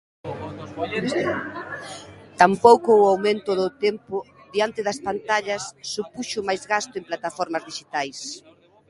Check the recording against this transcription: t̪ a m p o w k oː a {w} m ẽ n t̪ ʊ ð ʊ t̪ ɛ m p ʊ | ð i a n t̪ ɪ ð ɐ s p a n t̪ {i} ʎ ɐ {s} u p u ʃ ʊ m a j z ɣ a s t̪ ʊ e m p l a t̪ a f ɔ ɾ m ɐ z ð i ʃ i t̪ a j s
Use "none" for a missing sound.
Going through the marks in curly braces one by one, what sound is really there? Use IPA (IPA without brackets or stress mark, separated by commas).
w, a, sː